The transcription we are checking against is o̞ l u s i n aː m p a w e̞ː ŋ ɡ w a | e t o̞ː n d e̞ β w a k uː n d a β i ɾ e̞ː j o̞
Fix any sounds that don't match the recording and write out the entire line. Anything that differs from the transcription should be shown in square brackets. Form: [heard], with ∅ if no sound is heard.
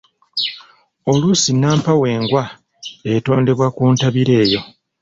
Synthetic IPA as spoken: o̞ l u s i n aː m p a w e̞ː ŋ ɡ w a | e t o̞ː n d e̞ β w a k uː n [t] a β i ɾ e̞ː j o̞